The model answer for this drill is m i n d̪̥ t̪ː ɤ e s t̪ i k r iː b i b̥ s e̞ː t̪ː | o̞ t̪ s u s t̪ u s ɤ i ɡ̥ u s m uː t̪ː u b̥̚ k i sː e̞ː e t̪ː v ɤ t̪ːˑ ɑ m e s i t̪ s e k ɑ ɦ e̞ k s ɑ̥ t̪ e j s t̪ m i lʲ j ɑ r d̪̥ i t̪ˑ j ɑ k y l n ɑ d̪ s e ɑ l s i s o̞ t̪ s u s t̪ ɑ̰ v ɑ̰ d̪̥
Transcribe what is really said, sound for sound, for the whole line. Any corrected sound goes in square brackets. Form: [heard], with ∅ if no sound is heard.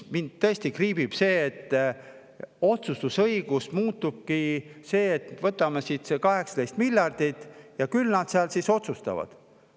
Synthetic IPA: m i n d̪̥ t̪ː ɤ e s t̪ i k r iː b i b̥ s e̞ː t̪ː | o̞ t̪ s u s t̪ u s ɤ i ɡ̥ u s m uː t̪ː u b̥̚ k i [s] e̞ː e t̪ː v ɤ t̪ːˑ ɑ m e s i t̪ s e k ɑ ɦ e̞ k s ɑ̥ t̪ e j s t̪ m i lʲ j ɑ r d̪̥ i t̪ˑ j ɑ k y l n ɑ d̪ s e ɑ l s i s o̞ t̪ s u s t̪ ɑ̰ v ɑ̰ d̪̥